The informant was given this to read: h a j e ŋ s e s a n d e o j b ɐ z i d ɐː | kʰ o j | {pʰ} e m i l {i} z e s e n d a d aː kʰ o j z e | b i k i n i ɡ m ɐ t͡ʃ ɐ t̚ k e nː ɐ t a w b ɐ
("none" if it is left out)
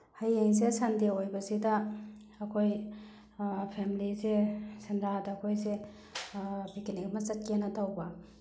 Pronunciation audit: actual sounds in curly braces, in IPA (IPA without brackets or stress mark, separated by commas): pʰ, i